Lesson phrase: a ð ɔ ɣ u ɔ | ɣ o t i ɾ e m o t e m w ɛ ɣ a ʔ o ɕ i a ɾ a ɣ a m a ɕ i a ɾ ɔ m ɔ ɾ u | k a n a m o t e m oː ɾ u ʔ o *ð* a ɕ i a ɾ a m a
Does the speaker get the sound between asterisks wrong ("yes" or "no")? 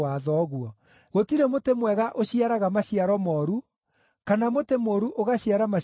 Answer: yes